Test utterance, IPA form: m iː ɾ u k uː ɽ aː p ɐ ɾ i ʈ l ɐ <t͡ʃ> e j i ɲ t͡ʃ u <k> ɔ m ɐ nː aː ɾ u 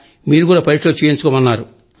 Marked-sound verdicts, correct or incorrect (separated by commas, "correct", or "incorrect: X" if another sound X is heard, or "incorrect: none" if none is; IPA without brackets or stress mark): correct, correct